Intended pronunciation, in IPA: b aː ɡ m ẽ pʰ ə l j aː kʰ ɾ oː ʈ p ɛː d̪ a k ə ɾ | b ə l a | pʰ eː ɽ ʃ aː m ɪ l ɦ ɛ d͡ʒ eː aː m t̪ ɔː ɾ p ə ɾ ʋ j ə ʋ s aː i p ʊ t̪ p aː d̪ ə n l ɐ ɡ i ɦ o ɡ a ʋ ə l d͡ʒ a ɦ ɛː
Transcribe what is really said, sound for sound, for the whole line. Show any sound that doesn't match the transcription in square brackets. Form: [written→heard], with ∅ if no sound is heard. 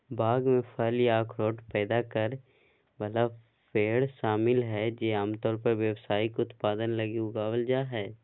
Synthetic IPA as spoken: b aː ɡ m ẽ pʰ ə l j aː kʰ ɾ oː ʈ p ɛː d̪ a k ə ɾ | b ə l a | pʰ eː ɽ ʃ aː m ɪ l ɦ ɛ d͡ʒ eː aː m t̪ ɔː ɾ p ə ɾ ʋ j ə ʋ s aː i [p→k] ʊ t̪ p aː d̪ ə n l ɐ ɡ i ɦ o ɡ a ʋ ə l d͡ʒ a ɦ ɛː